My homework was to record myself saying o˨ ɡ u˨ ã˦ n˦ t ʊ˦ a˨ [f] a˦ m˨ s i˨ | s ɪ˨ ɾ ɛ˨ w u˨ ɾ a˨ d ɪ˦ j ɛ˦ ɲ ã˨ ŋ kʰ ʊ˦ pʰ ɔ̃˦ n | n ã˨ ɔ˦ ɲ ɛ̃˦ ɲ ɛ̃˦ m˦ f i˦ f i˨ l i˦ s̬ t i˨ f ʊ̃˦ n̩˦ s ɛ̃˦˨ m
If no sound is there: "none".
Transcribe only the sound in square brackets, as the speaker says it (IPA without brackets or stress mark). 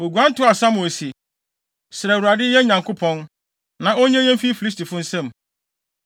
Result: s